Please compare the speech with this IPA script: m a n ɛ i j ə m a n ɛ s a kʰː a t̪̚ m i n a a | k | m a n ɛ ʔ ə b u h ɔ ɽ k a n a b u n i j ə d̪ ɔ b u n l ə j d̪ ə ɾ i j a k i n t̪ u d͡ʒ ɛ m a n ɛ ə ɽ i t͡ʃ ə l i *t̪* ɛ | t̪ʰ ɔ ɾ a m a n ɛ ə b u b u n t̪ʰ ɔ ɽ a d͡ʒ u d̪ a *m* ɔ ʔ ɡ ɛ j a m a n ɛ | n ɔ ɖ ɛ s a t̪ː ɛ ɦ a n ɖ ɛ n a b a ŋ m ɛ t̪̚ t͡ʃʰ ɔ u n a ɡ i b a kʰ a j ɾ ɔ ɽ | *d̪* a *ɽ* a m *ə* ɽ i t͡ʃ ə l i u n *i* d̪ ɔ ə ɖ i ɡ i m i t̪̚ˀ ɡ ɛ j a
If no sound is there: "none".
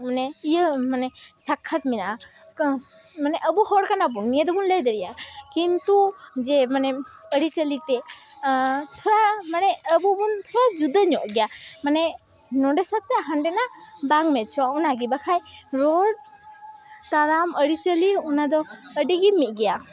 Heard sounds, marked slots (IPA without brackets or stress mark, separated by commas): t̪, ɲ, t̪, ɾ, ə, a